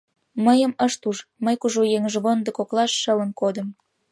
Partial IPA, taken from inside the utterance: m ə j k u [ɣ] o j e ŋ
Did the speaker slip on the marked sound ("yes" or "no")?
yes